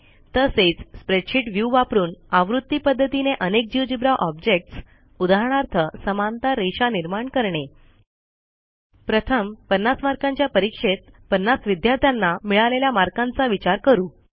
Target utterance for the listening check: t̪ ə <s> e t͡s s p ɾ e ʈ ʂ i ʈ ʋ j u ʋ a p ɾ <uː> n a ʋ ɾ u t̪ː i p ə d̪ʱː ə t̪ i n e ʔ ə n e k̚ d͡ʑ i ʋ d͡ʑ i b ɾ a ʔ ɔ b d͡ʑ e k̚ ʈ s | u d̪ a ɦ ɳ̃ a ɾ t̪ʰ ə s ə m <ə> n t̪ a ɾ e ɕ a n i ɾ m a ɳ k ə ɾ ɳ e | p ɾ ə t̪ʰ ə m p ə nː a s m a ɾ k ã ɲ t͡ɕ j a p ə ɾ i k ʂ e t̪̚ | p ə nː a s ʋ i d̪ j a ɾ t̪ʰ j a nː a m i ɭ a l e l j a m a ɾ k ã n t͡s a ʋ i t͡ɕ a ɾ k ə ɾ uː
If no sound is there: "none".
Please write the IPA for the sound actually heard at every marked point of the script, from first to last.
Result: s, uː, a

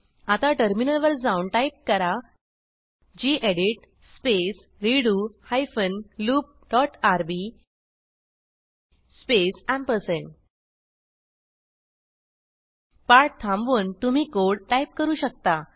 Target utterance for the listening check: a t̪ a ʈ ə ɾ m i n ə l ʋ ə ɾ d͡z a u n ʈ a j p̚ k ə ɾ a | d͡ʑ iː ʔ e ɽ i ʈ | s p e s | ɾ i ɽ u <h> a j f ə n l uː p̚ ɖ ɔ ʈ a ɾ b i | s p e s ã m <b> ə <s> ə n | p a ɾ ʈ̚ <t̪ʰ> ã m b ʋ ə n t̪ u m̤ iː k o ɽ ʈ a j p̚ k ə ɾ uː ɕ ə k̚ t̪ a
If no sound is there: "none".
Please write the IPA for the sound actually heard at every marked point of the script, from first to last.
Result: h, p, s, t̪ʰ

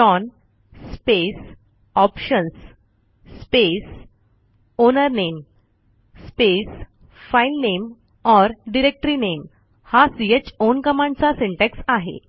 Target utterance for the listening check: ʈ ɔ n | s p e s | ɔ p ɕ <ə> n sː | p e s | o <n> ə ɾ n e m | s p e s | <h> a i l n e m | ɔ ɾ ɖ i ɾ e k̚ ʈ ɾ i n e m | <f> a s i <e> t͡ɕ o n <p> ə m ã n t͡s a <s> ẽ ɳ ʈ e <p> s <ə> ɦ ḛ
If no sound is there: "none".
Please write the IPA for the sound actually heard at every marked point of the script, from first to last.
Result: ə, n, f, h, e, k, s, k, a

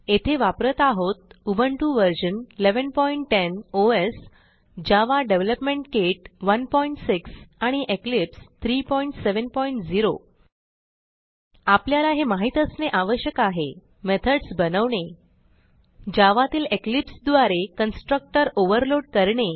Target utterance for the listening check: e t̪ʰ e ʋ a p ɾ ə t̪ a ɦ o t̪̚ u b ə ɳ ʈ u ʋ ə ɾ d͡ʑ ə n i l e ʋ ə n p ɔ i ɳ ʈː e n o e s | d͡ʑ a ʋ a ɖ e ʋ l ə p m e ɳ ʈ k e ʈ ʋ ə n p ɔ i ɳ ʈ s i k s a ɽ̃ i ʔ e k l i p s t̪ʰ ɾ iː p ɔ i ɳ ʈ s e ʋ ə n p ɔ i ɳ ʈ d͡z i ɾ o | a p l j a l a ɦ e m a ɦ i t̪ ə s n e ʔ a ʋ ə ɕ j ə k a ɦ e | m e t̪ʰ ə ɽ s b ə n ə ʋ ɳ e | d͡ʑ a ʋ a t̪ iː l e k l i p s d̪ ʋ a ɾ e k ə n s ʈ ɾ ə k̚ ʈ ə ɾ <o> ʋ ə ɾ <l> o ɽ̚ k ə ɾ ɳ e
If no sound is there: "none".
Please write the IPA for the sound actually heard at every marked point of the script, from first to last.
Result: o, l

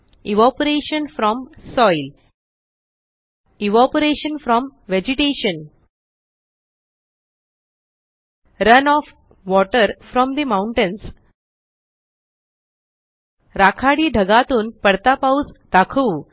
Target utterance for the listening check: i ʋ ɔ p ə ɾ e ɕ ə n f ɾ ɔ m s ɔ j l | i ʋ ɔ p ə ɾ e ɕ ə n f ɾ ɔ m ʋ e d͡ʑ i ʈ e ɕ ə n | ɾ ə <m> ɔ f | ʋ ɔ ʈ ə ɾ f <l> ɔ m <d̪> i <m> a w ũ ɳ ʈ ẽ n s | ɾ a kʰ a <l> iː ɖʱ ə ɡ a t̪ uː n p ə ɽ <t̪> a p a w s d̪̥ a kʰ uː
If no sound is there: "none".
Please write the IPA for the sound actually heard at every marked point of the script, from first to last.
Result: n, ɾ, d̪, m, ɽ, t̪

